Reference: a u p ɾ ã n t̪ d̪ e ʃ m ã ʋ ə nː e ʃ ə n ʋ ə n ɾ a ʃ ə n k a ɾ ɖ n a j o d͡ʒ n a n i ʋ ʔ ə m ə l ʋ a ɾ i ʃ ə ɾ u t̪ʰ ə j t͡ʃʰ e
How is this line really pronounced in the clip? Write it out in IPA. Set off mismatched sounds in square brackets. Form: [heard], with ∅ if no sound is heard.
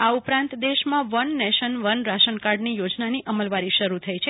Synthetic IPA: a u p ɾ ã n t̪ d̪ e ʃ m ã ʋ ə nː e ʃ ə n ʋ ə n ɾ a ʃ ə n k a ɾ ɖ n [i] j o d͡ʒ n a n i [∅] ʔ ə m ə l ʋ a ɾ i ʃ ə ɾ u t̪ʰ ə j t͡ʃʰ e